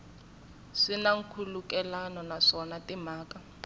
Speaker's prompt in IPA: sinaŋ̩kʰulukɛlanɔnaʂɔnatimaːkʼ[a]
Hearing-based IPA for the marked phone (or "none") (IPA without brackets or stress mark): a